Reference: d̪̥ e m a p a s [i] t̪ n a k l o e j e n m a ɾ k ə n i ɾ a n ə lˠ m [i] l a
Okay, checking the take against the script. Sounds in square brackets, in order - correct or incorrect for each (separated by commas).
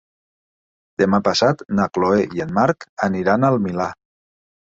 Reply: incorrect, correct